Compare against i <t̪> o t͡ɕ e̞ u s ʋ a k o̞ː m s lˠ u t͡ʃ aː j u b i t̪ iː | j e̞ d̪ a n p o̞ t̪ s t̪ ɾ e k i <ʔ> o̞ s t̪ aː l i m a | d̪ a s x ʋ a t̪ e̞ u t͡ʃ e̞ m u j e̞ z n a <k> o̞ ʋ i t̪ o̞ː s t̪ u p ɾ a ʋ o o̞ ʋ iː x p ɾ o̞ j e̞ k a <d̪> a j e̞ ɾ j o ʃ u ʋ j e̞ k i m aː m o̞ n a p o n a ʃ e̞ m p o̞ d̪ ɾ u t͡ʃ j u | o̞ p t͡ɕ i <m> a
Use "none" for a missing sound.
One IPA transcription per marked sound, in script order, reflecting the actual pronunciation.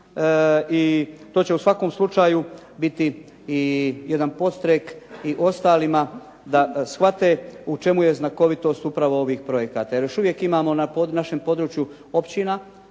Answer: t̪, ʔ, k, t̪, n

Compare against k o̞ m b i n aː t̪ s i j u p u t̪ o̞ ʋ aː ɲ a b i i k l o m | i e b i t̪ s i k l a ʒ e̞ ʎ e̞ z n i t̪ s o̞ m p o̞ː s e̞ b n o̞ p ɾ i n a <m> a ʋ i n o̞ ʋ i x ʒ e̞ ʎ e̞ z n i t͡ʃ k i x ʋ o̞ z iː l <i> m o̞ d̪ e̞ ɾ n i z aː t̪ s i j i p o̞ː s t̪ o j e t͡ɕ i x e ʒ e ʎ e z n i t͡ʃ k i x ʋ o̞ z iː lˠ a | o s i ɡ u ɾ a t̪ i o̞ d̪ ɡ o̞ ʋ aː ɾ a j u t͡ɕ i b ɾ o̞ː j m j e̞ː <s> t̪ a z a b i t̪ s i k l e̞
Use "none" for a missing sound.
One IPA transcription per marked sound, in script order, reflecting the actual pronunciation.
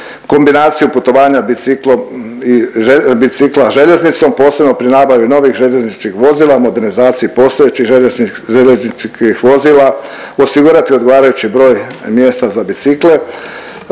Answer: b, a, s

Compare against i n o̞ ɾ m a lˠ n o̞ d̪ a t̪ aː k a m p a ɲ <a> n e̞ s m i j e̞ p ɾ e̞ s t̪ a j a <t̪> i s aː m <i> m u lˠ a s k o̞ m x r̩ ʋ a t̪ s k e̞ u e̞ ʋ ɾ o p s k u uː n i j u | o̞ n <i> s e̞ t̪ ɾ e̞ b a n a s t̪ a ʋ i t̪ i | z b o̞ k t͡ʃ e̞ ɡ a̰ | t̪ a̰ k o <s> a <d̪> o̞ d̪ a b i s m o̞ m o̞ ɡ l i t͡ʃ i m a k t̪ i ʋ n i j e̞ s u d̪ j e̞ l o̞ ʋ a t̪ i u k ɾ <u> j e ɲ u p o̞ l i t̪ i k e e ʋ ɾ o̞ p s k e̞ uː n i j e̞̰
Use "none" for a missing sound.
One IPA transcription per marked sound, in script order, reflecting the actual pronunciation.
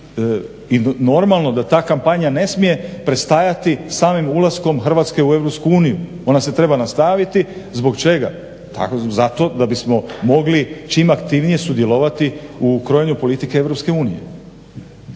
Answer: a, t̪, i, a, z, t̪, o

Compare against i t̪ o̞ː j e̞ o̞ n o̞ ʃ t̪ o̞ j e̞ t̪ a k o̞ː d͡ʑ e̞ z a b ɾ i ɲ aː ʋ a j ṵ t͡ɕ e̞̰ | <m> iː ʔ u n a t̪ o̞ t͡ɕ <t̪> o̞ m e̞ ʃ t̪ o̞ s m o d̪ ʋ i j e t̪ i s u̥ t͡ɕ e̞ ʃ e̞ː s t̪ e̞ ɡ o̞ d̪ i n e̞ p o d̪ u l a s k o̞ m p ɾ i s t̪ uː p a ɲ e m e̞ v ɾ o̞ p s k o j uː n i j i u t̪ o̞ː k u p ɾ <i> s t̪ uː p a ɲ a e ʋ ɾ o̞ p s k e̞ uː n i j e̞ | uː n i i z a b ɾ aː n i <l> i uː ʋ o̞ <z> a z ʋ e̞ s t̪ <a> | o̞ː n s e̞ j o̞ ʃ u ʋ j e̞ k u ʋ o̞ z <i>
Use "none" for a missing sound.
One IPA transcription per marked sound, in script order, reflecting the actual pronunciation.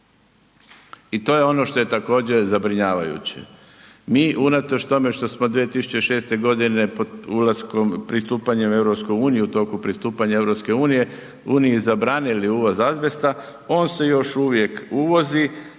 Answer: m, t̪, i, l, z, a, i

